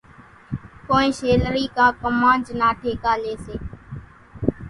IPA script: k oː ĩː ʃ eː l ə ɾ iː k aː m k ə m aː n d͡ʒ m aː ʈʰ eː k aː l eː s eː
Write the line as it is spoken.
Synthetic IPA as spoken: k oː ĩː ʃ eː l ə ɾ iː k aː k ə m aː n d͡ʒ n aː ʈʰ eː k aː l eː s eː

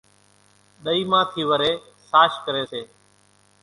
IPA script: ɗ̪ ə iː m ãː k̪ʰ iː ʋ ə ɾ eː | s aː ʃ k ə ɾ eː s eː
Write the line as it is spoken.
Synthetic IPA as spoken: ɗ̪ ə iː m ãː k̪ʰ iː ʋ ə ɾ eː | s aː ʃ k ə ɾ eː s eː

